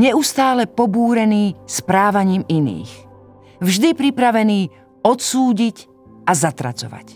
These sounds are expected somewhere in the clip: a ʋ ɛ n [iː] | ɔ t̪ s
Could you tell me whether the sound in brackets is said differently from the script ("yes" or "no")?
no